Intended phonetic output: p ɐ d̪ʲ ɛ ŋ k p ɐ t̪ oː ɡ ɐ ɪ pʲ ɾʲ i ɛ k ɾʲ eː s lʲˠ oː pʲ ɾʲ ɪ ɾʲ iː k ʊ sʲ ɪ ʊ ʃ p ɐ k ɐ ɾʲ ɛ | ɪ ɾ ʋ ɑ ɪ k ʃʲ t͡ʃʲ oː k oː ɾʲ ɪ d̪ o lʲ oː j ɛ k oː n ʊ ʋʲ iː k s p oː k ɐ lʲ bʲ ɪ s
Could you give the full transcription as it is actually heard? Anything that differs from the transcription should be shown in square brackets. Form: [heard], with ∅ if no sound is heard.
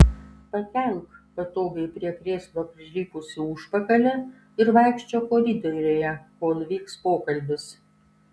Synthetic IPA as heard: p ɐ [t̪ʲ] ɛ ŋ k p ɐ t̪ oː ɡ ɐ ɪ pʲ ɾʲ i ɛ k ɾʲ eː s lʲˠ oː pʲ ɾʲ ɪ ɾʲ iː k ʊ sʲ ɪ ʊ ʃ p ɐ k ɐ [lʲ] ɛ | ɪ ɾ ʋ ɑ ɪ k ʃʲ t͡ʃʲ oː k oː ɾʲ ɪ d̪ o [ɾʲ] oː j ɛ k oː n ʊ ʋʲ iː k s p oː k ɐ lʲ bʲ ɪ s